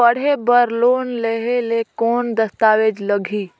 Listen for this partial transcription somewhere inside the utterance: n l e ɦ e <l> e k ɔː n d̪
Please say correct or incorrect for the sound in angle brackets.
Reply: correct